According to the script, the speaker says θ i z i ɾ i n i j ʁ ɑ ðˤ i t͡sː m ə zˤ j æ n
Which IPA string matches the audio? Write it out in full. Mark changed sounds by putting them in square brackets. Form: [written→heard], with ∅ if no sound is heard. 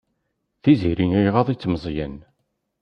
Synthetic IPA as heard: θ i z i ɾ i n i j ʁ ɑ ðˤ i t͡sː m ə zˤ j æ n